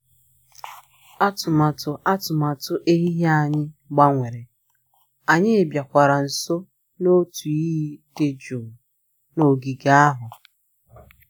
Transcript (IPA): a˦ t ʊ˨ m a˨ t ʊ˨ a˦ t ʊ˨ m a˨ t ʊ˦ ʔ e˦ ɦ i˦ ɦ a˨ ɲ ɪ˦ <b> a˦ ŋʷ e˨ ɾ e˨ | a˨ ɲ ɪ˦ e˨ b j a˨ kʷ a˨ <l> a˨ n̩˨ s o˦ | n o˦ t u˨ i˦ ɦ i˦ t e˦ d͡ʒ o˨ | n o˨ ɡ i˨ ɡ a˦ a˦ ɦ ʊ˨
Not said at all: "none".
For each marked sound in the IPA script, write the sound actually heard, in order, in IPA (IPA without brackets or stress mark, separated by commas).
ɡ͡b, ɾ